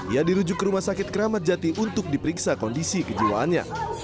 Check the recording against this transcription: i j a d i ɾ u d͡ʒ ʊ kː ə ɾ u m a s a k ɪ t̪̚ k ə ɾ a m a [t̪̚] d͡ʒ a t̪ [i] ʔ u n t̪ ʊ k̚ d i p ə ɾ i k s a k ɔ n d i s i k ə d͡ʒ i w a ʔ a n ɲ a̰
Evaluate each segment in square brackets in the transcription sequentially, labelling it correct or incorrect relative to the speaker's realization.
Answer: correct, correct

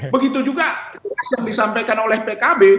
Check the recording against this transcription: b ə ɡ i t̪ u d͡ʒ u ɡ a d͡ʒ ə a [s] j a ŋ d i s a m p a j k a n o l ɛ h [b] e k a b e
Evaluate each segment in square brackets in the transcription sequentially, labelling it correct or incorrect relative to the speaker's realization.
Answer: correct, incorrect: p

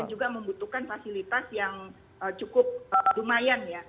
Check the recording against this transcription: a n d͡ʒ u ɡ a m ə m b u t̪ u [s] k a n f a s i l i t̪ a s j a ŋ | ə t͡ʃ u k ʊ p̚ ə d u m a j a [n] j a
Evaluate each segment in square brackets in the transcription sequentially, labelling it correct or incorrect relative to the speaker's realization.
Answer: incorrect: h, correct

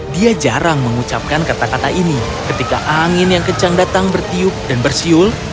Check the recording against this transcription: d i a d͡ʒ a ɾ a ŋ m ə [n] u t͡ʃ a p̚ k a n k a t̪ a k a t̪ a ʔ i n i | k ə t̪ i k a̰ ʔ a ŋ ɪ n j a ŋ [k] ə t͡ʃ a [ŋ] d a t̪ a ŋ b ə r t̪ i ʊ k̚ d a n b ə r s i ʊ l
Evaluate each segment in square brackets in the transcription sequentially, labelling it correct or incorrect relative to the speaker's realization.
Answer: incorrect: ŋ, correct, correct

